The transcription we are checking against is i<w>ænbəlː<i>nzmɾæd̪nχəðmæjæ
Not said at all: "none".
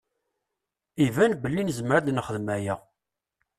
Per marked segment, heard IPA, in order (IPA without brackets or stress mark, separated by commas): v, i